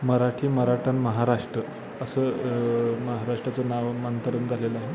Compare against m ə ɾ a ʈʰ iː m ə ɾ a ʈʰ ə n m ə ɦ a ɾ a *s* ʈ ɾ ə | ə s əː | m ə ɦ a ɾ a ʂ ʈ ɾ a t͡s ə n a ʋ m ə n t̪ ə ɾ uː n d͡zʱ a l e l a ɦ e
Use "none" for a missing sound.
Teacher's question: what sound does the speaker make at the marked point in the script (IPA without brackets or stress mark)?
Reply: ʂ